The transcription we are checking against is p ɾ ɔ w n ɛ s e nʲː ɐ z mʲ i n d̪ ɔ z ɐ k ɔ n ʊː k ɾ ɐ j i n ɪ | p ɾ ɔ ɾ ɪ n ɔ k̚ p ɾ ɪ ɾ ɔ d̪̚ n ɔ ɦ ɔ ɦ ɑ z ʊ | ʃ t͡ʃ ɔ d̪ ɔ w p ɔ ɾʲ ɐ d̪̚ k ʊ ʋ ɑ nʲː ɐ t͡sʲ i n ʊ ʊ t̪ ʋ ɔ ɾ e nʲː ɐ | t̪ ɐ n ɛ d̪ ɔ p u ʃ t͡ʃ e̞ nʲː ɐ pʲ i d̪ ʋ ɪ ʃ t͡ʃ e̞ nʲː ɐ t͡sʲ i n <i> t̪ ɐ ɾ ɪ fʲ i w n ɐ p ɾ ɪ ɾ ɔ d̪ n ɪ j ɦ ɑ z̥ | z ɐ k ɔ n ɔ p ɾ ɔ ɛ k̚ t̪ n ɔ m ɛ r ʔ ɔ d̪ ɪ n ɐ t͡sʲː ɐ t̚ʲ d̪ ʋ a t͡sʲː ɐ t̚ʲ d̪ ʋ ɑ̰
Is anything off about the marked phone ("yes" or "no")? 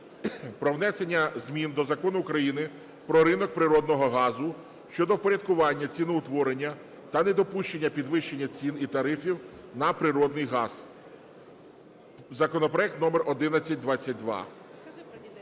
no